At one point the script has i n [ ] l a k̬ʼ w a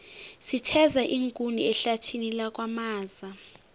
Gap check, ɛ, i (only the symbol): i